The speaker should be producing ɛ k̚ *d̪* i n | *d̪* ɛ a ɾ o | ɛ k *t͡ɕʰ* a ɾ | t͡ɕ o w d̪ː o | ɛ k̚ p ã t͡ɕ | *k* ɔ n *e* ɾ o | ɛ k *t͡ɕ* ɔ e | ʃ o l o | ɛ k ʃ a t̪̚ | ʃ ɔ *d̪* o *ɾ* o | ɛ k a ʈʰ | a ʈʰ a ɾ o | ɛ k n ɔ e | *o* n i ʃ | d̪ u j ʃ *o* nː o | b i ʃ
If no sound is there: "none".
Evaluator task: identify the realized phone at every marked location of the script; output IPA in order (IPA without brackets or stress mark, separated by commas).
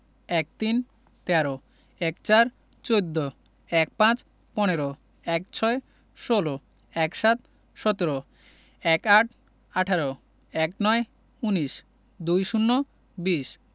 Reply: t̪, t̪, t͡ɕ, p, e, t͡ɕʰ, t̪, ɾ, u, u